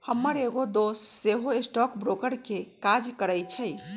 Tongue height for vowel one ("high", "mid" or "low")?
mid